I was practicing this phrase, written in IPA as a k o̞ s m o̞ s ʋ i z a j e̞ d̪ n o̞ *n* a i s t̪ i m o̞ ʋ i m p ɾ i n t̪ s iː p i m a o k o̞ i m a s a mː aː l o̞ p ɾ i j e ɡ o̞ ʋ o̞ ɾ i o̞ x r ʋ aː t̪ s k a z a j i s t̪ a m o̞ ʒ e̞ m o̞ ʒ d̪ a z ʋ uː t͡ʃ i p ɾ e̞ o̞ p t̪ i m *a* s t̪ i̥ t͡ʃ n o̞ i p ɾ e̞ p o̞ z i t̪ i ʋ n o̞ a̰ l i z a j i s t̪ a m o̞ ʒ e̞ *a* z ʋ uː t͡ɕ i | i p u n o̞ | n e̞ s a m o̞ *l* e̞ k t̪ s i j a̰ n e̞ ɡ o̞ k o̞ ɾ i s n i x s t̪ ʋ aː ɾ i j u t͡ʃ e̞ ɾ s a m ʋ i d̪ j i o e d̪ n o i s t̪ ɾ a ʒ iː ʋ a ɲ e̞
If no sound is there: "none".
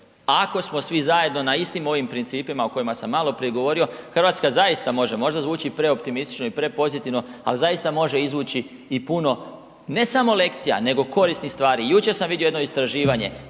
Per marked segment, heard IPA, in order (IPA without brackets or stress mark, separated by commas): n, i, i, l